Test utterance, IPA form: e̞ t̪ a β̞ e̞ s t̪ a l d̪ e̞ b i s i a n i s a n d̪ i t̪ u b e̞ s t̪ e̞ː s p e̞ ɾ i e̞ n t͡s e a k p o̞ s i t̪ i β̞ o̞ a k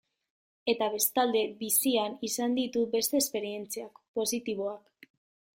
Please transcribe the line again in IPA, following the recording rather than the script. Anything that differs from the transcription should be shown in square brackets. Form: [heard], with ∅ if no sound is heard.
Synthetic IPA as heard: e̞ t̪ a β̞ e̞ s t̪ a l d̪ e̞ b i s i a n i s a n d̪ i t̪ u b e̞ s t̪ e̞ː s p e̞ ɾ i e̞ n t͡s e a k p o̞ s i t̪ i β̞ o̞ a k